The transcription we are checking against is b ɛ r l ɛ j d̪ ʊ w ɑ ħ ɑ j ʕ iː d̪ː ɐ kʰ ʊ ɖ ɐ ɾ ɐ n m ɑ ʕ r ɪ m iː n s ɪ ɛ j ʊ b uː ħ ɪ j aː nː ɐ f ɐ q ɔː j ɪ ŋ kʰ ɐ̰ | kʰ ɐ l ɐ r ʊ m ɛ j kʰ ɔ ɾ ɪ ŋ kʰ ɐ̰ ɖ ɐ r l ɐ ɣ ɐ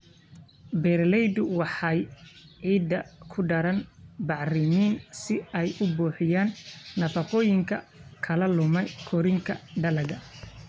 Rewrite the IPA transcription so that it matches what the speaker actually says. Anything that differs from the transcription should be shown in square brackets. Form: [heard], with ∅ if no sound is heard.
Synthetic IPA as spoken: b ɛ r l ɛ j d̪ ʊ w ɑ ħ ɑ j ʕ iː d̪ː ɐ kʰ ʊ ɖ ɐ ɾ ɐ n [b] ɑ ʕ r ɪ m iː n s ɪ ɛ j ʊ b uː ħ ɪ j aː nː ɐ f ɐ q ɔː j ɪ ŋ kʰ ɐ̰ | kʰ ɐ l ɐ [l] ʊ m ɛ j kʰ ɔ ɾ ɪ ŋ kʰ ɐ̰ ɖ ɐ [∅] l ɐ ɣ ɐ